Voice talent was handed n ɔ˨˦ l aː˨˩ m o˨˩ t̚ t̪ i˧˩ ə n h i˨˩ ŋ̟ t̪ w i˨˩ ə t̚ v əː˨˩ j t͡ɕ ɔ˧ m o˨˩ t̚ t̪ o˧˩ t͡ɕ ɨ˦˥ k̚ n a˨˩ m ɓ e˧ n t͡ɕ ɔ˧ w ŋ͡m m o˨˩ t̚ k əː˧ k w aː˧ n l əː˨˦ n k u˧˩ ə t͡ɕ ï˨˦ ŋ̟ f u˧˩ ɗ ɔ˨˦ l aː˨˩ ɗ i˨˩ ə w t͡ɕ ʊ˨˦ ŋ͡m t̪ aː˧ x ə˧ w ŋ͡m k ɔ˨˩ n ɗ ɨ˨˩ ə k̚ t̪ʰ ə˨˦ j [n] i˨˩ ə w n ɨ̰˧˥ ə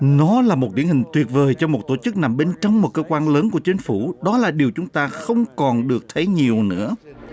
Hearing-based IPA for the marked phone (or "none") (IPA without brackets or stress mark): ɲ